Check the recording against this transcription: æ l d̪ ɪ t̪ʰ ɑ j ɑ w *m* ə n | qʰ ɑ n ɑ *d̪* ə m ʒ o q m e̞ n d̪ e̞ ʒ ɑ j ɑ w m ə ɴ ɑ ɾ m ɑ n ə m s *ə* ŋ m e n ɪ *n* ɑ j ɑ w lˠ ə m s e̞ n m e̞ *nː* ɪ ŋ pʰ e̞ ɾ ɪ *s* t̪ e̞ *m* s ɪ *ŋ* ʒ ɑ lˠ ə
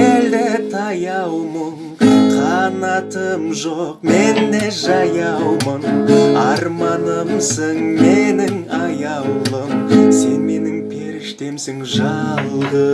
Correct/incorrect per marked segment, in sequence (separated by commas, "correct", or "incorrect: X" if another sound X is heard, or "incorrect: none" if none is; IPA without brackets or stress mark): correct, incorrect: t̪, correct, incorrect: ŋ, incorrect: n, incorrect: ʃ, correct, correct